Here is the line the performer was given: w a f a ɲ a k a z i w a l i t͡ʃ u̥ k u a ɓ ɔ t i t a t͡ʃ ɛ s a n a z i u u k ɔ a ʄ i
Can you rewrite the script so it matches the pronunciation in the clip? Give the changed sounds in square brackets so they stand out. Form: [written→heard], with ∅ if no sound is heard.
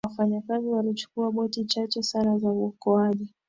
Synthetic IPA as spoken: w a f a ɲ a k a z i w a l i t͡ʃ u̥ k u a ɓ ɔ t i [t→t͡ʃ] a t͡ʃ ɛ s a n a z [i→a] u [u→ɔ] k ɔ a ʄ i